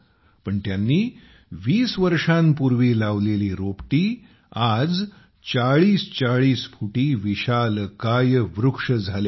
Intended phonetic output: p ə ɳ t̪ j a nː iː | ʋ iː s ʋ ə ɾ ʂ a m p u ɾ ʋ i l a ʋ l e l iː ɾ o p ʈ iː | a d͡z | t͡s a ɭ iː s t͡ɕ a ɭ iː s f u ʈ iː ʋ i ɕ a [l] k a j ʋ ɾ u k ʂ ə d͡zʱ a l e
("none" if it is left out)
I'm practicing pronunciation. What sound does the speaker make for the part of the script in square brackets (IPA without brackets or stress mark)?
l